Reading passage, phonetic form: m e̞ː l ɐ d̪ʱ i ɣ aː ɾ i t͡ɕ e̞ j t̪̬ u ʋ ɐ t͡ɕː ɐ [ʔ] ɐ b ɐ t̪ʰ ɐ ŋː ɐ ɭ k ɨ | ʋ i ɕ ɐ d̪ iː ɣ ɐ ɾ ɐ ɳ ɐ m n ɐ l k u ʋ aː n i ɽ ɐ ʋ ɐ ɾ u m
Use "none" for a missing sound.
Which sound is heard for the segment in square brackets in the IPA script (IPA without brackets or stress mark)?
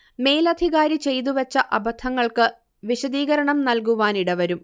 ʔ